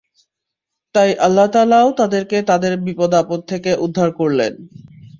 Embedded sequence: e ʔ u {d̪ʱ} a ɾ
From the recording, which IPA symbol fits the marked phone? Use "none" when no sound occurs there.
d̪ʱː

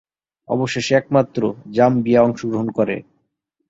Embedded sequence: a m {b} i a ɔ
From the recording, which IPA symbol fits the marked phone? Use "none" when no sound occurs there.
b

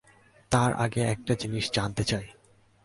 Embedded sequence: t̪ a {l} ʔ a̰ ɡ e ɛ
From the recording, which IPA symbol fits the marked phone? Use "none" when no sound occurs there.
ɾ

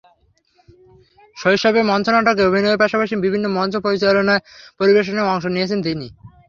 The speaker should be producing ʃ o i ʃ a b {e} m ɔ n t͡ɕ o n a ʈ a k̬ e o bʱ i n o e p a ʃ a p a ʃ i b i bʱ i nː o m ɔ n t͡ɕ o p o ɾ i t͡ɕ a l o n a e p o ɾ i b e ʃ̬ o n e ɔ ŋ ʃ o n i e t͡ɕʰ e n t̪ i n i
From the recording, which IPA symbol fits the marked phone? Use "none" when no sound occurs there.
e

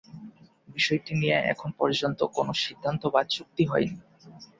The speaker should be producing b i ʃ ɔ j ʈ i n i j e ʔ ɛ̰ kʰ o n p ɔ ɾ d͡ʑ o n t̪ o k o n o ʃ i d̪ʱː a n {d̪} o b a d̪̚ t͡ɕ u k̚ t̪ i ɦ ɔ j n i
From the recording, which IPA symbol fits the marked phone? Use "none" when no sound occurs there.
t̪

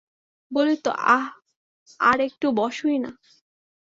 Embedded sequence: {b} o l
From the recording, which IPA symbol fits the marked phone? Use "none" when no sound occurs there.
b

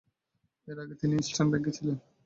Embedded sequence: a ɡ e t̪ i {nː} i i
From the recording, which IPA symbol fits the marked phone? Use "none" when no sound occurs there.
n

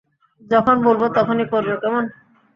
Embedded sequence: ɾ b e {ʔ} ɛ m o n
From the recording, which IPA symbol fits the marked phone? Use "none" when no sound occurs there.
k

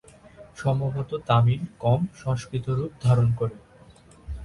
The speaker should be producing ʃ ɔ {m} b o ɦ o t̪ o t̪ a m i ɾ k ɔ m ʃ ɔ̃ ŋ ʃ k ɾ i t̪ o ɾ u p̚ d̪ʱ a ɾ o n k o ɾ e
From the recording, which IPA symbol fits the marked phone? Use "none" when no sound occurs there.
m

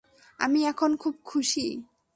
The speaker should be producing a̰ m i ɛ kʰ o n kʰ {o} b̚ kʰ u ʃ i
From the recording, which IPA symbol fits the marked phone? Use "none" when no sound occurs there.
u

